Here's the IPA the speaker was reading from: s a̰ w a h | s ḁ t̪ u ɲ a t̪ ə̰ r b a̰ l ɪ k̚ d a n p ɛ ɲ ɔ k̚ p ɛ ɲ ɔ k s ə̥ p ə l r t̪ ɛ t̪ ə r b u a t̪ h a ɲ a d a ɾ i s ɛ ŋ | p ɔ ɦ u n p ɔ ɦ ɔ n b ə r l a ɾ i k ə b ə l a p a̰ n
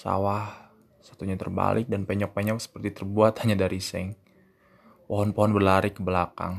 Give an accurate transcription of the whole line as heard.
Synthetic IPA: s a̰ w a h | s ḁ t̪ u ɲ a t̪ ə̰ r b a̰ l ɪ k̚ d a n p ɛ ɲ ɔ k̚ p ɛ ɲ ɔ k s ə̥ p ə r t̪ i t̪ ə r b u a t̪ h a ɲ a d a ɾ i s ɛ ŋ | p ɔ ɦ ɔ n p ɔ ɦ ɔ n b ə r l a ɾ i k ə b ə l a k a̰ ŋ